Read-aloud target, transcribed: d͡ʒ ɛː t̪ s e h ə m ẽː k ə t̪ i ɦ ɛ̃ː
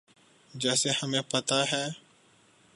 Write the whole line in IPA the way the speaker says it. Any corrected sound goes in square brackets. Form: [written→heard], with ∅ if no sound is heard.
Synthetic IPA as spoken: d͡ʒ ɛː [t̪→∅] s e h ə m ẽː [k→p] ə t̪ [i→a] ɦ [ɛ̃ː→ɛː]